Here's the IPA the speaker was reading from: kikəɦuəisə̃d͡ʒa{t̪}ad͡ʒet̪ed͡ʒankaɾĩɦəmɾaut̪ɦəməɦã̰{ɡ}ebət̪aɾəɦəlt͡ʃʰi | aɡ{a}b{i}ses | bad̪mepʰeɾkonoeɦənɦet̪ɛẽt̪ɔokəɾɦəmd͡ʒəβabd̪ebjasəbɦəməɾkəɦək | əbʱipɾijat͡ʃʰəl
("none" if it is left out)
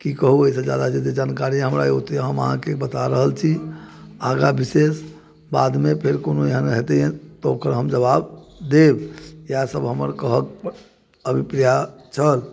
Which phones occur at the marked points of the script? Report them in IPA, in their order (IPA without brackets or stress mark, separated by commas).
d̪, k, a, i